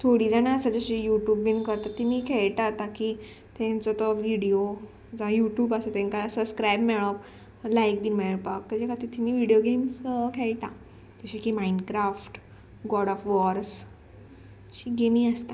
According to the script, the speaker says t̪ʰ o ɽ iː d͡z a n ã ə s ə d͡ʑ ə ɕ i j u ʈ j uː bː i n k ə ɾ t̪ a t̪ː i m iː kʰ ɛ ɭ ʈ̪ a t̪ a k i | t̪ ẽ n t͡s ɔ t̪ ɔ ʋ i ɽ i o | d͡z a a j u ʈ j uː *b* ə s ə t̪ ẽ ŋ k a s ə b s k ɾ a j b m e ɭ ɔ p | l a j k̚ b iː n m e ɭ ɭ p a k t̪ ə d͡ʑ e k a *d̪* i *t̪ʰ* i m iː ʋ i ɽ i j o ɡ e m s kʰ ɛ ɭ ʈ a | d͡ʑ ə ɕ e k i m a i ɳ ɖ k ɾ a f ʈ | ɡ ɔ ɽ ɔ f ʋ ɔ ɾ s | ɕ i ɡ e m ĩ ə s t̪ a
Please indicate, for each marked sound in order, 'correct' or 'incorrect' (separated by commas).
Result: correct, incorrect, correct